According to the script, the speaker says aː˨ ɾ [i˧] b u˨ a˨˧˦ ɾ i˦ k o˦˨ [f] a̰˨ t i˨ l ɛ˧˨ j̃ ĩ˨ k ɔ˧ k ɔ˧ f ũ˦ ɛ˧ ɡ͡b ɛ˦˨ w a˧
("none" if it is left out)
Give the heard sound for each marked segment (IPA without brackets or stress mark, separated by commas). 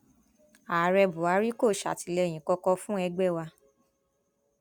ɛ˧, ʃ